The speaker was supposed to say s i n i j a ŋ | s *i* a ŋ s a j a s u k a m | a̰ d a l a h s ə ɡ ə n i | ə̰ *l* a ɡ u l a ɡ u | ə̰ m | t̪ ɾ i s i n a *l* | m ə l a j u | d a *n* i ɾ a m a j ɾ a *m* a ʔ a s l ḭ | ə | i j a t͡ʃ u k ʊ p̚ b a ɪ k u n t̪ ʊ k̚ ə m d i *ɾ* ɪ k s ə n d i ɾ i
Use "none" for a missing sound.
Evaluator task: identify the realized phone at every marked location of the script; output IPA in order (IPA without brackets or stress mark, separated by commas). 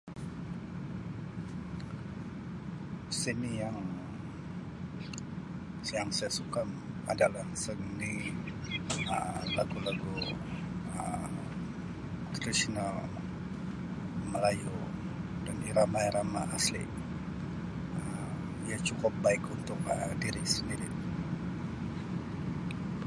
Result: j, l, l, n, m, ɾ